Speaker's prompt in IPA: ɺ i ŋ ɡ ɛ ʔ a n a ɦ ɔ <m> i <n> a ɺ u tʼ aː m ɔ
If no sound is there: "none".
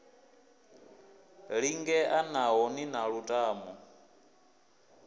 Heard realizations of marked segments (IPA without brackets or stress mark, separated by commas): n, n